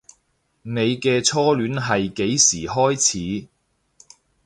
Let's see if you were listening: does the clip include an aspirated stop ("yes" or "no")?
yes